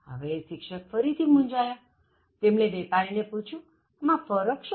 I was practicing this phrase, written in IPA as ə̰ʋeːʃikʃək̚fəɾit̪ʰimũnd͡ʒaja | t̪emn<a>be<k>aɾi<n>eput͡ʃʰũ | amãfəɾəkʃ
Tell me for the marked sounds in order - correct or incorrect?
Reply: incorrect, incorrect, correct

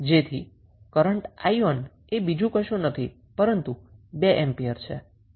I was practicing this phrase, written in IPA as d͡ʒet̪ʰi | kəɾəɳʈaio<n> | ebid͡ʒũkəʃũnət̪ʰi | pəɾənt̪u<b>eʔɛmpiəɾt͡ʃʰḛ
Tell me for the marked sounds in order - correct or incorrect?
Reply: correct, correct

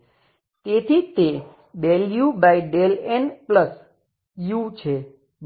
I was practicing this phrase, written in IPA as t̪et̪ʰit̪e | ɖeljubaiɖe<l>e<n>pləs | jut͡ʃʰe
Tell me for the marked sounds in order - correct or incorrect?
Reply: correct, correct

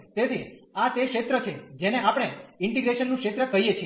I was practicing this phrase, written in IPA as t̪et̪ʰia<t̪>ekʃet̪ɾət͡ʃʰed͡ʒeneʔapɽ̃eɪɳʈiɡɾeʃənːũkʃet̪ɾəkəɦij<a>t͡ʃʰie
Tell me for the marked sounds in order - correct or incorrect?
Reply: correct, incorrect

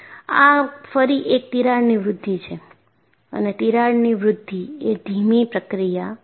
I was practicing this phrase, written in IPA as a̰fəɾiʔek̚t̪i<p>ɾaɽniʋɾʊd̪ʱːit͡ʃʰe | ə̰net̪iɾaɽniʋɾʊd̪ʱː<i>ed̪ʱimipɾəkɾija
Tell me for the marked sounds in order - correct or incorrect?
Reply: incorrect, correct

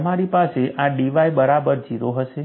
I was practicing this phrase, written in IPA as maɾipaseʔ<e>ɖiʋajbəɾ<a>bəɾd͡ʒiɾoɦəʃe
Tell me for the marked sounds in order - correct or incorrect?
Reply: incorrect, correct

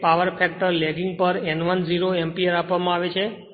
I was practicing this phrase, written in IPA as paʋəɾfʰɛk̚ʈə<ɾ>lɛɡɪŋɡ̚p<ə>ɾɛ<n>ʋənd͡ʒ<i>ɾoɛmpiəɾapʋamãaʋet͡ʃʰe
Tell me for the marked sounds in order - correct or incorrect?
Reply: correct, correct, correct, correct

